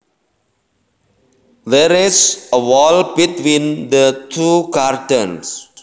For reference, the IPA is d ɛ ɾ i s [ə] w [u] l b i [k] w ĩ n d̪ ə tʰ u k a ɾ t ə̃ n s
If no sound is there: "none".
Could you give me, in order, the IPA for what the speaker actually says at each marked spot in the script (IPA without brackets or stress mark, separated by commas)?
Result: ə, ɔ, t